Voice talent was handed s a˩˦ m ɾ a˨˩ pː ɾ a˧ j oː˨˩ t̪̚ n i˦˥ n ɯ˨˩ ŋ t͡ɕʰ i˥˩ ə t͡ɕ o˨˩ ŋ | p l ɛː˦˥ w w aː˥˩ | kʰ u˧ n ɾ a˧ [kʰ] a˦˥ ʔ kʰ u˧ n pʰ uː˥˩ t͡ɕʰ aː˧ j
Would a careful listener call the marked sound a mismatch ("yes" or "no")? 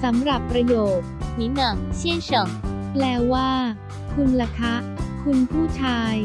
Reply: no